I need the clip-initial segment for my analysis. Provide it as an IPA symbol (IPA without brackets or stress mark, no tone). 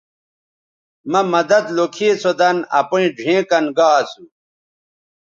m